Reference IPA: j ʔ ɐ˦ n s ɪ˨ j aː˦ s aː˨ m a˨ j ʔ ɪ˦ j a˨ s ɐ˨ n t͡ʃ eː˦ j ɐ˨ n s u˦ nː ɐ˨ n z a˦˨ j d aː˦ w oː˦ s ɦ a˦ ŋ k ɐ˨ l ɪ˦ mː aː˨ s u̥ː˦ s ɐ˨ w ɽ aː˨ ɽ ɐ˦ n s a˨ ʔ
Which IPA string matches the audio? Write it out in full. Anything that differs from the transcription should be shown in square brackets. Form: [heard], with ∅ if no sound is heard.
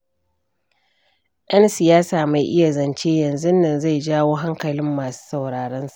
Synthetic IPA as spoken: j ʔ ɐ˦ n s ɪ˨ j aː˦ s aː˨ m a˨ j ʔ ɪ˦ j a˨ [z] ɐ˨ n t͡ʃ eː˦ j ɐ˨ n [z] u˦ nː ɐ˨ n z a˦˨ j [d͡ʒ] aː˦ w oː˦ [∅] ɦ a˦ ŋ k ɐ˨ l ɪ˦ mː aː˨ s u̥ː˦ s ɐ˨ w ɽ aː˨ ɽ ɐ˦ n s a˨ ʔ